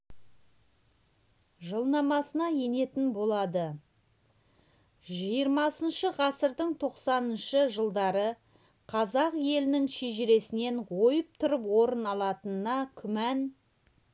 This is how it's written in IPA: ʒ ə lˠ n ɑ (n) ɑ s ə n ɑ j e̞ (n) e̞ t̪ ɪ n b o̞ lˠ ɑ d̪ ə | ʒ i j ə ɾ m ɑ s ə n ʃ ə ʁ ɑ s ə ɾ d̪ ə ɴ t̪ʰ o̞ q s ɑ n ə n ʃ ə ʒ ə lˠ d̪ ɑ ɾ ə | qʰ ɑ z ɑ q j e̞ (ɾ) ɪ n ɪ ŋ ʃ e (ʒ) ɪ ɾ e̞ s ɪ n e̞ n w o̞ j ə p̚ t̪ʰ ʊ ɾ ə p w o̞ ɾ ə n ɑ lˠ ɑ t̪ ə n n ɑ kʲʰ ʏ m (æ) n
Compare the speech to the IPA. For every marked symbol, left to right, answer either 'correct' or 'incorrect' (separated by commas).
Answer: incorrect, correct, incorrect, correct, correct